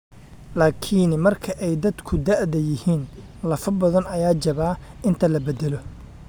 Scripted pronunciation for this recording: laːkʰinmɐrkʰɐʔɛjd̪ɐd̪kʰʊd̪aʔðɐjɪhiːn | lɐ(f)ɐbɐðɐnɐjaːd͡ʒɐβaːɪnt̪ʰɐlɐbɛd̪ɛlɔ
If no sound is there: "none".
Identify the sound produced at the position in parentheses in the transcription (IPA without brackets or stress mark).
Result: f